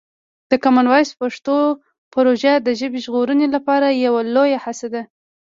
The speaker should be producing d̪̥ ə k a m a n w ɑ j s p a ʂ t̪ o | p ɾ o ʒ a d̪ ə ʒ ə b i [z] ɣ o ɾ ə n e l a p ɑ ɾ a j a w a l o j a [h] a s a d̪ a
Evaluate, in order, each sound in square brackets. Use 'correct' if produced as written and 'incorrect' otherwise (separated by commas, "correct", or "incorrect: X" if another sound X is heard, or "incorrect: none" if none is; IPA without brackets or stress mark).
incorrect: ʒ, correct